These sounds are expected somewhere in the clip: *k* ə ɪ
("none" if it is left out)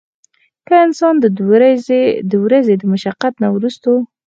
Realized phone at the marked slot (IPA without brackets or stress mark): k